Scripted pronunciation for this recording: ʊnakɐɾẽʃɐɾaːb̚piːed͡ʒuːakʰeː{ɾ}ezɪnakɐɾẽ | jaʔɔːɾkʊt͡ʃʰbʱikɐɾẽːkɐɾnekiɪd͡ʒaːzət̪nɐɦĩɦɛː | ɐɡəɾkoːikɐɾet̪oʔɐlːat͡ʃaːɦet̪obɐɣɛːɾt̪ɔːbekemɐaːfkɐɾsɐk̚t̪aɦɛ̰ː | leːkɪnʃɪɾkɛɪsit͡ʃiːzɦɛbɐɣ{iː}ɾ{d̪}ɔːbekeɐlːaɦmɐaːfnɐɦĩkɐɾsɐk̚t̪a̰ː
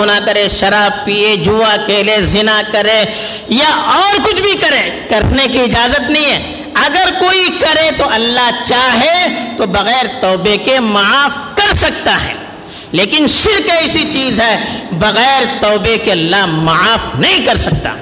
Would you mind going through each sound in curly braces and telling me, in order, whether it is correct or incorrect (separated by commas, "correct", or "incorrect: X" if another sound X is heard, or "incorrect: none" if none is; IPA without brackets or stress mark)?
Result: incorrect: l, incorrect: ɛː, incorrect: t̪